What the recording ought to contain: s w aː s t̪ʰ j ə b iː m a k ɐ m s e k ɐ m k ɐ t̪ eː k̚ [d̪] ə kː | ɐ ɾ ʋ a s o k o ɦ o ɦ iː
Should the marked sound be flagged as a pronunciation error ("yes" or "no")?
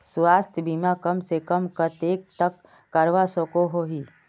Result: yes